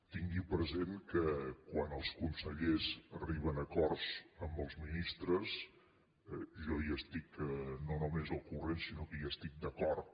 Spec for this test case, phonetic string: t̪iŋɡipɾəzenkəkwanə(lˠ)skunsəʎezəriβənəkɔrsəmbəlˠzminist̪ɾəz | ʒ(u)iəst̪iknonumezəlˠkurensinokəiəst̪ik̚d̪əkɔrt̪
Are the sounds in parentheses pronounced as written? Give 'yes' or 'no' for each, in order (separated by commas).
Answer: yes, no